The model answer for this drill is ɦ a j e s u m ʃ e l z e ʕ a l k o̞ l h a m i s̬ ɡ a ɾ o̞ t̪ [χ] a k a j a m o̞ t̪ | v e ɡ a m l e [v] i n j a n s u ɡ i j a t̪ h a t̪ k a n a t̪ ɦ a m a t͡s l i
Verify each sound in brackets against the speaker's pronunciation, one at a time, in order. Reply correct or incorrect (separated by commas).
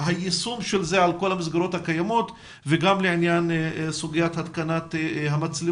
incorrect, incorrect